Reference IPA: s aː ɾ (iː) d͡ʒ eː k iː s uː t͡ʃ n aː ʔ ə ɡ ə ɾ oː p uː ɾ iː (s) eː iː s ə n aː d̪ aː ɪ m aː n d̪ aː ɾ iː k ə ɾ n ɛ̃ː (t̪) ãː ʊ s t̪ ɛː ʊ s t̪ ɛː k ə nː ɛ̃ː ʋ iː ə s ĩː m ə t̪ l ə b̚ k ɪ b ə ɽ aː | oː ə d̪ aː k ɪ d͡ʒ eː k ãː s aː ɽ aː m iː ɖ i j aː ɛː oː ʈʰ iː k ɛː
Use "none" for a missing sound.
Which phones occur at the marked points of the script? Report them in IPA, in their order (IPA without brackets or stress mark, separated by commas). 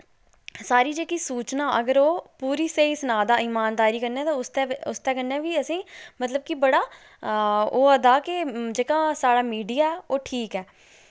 iː, s, t̪